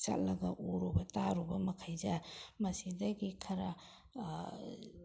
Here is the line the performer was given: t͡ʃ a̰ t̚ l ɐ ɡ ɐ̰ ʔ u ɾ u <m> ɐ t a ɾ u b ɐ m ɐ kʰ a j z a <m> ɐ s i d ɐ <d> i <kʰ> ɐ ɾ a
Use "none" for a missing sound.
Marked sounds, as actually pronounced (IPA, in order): b, m, ɡ, kʰ

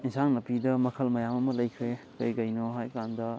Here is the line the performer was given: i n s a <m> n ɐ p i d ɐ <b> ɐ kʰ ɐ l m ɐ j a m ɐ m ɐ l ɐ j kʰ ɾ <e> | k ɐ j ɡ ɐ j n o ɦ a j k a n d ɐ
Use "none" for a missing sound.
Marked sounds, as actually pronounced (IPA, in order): ŋ, m, e

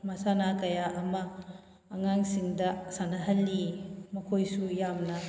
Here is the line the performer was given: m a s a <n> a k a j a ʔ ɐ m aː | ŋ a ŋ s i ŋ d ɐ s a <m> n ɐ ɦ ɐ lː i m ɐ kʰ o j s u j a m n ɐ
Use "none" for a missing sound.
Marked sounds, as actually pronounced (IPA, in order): n, none

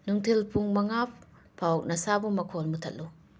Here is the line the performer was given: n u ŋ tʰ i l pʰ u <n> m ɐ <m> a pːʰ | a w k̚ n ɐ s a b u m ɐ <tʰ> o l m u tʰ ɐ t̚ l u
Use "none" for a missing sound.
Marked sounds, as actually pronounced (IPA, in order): ŋ, ŋ, kʰ

